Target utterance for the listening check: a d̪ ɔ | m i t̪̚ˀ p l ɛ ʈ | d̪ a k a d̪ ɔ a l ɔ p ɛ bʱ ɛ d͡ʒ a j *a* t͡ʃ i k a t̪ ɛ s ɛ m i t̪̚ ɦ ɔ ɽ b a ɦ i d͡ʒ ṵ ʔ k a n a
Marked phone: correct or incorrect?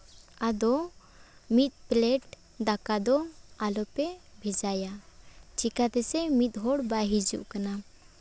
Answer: correct